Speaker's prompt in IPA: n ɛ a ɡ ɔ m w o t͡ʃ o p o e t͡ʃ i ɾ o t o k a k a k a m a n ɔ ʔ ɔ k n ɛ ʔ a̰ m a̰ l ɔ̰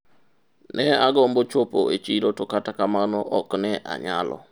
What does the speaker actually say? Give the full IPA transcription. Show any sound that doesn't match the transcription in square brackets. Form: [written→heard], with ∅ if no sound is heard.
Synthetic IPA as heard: n ɛ a ɡ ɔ m [w→b] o t͡ʃ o p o e t͡ʃ i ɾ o t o k a [k→t] a k a m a n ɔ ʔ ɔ k n ɛ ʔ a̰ [m→ɲ] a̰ l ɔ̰